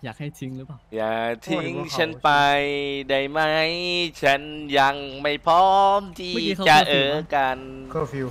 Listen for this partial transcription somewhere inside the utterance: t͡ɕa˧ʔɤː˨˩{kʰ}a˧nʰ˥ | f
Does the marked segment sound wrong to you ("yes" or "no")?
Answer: yes